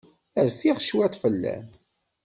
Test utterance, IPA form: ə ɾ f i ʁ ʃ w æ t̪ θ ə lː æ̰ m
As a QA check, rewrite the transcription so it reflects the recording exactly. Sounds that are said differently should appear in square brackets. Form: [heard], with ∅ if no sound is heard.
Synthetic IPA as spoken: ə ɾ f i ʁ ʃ w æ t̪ [f] ə lː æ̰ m